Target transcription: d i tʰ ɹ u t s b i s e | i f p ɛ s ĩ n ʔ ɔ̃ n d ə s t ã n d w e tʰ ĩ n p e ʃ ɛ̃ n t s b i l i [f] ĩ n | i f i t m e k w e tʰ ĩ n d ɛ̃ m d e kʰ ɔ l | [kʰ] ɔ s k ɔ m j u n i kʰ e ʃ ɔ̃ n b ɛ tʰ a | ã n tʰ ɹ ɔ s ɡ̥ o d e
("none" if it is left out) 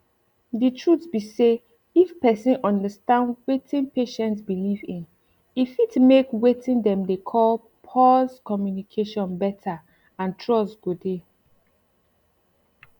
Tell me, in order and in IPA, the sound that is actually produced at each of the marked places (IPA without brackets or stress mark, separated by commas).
v, pʰ